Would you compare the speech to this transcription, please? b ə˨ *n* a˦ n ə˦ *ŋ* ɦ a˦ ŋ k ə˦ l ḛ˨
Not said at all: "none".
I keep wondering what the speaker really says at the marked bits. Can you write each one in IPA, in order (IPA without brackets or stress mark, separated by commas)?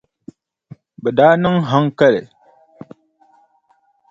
d, ŋ